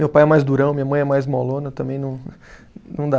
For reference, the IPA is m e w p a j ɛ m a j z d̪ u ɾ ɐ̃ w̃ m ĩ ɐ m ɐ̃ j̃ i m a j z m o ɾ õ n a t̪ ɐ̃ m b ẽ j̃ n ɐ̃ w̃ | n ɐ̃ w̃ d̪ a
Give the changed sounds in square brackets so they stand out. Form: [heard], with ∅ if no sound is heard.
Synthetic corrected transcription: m e w p a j ɛ m a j z d̪ u ɾ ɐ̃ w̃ m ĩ ɐ m ɐ̃ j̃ [ɛ] m a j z m o [l] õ n [ɐ] t̪ ɐ̃ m b ẽ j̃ n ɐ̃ w̃ | n ɐ̃ w̃ d̪ a